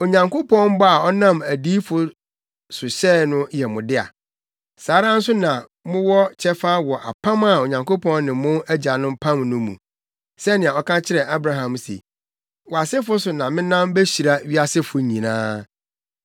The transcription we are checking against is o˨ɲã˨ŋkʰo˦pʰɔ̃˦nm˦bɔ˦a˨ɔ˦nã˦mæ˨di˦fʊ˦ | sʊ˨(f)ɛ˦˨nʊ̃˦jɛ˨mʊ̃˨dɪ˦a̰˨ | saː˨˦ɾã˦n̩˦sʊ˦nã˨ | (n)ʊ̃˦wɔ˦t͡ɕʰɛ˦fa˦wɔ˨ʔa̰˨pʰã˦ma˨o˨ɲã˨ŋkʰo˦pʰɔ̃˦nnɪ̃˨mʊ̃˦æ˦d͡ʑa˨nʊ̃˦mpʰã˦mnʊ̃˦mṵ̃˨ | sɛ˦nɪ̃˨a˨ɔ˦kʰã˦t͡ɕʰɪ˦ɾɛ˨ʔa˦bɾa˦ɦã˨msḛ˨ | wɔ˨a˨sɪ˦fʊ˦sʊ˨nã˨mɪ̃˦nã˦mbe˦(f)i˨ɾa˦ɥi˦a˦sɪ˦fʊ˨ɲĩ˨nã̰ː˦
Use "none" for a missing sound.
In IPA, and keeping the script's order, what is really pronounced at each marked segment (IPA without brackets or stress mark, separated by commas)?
ɕ, m, ɕ